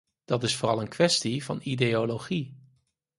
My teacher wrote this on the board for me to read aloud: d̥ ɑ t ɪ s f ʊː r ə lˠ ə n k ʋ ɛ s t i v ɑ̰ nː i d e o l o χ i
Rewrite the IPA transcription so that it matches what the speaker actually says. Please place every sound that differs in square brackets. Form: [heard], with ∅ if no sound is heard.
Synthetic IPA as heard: d̥ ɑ t ɪ s f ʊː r [ɑ] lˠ ə n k ʋ ɛ s t i v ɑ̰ [n] i d e o l o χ i